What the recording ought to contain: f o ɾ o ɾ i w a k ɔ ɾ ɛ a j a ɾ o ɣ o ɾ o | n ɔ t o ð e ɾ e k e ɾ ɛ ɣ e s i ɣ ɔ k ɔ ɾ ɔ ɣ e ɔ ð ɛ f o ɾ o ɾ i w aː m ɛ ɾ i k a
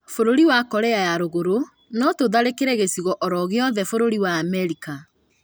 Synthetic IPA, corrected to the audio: f o ɾ o ɾ i w a k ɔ ɾ ɛ a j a ɾ o ɣ o ɾ o | n ɔ t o ð a ɾ e k e ɾ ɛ ɣ e s i ɣ ɔ ʔ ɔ ɾ ɔ ɣ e ɔ ð ɛ f o ɾ o ɾ i w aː m ɛ ɾ i k a